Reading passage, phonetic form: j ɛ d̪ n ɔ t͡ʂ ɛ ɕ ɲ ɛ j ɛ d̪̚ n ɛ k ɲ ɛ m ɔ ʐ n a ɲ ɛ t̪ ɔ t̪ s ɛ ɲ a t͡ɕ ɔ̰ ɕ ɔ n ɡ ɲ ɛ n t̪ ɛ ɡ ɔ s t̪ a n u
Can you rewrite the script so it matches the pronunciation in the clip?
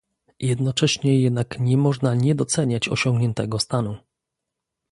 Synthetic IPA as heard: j ɛ d̪ n ɔ t͡ʂ ɛ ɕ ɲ ɛ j ɛ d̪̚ n a k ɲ ɛ m ɔ ʐ n a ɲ ɛ d̪ ɔ t̪ s ɛ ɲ a t͡ɕ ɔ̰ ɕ ɔ ŋ ɡ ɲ ɛ n t̪ ɛ ɡ ɔ s t̪ a n u